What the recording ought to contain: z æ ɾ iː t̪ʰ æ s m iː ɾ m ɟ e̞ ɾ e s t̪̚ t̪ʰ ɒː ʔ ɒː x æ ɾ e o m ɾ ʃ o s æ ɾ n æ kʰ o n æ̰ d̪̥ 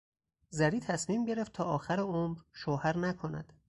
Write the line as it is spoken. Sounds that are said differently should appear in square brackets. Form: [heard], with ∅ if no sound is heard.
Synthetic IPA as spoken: z æ ɾ iː t̪ʰ æ s m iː [∅] m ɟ e̞ ɾ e [f] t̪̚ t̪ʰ ɒː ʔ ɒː x æ ɾ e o m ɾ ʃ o [h] æ ɾ n æ kʰ o n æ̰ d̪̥